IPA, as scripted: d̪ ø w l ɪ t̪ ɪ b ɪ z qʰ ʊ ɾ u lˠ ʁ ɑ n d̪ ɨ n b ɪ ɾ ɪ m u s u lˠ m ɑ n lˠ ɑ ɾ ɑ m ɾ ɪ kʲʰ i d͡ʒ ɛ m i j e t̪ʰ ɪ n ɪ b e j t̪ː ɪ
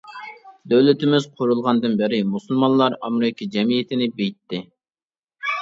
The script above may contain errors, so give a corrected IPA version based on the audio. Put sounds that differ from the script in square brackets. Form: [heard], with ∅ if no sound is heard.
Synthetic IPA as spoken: d̪ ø w l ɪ t̪ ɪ [m] ɪ z qʰ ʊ ɾ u lˠ ʁ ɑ n d̪ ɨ n b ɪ ɾ ɪ m u s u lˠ m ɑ n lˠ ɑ ɾ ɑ m ɾ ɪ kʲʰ i d͡ʒ ɛ m i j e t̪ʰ ɪ n ɪ b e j t̪ː ɪ